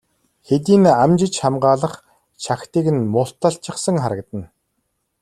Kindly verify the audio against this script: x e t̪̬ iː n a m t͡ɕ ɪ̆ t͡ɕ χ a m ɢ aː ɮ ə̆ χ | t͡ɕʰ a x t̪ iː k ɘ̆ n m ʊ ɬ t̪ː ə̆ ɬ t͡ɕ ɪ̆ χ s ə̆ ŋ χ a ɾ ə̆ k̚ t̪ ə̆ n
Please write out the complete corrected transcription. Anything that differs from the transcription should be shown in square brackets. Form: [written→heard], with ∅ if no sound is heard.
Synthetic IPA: x e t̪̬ iː n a m t͡ɕ ɪ̆ t͡ɕ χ a m ɢ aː ɮ ə̆ χ | t͡ɕʰ a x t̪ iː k ɘ̆ n m ʊ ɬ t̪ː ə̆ ɬ t͡ɕ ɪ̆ χ s ə̆ ŋ χ a ɾ ə̆ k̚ t̪ ə̆ n